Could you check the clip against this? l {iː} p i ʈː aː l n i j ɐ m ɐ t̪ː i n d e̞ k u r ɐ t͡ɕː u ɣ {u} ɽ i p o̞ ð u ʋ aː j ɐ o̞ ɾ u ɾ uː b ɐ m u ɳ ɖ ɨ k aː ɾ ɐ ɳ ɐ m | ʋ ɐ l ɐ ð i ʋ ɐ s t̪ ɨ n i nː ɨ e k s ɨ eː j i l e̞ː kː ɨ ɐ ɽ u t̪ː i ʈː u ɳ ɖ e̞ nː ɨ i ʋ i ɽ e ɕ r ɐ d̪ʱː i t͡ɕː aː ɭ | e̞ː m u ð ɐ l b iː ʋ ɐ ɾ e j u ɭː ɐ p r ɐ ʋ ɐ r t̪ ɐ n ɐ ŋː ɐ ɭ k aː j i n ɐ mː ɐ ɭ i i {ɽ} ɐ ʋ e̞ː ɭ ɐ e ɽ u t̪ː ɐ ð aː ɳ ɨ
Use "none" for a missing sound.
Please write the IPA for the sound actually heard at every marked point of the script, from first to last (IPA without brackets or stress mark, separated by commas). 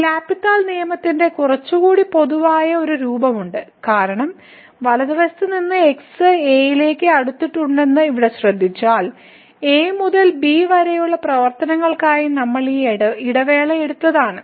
aː, uː, ɽ